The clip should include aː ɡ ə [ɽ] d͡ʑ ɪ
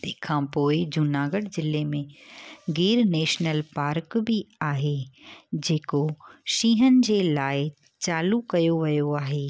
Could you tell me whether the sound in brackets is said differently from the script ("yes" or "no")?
no